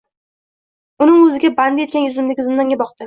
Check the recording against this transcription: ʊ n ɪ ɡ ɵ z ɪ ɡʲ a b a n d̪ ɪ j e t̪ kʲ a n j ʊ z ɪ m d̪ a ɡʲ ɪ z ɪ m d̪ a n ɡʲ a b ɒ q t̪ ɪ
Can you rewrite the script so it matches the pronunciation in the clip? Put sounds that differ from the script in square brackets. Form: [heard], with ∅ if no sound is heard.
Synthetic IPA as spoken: ʊ n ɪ [ŋ] ɵ z ɪ ɡʲ a b a n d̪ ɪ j e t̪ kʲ a n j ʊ z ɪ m d̪ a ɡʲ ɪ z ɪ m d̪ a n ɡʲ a b ɒ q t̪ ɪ